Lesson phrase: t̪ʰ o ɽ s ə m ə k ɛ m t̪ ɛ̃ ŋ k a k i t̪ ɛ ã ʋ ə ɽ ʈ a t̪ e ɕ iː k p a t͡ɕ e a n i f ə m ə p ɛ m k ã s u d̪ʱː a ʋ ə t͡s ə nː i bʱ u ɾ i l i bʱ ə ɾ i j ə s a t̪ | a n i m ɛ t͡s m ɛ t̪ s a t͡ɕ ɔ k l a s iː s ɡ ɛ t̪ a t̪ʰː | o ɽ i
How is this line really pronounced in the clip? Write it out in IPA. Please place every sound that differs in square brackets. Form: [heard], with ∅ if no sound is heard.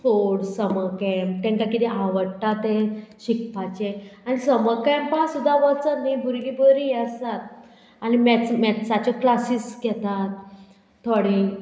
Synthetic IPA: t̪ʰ o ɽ s ə m ə k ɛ m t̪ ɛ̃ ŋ k a k i t̪ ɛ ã ʋ ə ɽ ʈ a t̪ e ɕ [i] k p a t͡ɕ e a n i [s] ə m ə [k] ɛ m [p] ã s u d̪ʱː a ʋ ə t͡s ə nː i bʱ u ɾ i l i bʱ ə ɾ i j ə s a t̪ | a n i m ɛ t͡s m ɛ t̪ s a t͡ɕ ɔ k l a s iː s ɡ ɛ t̪ a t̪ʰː | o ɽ i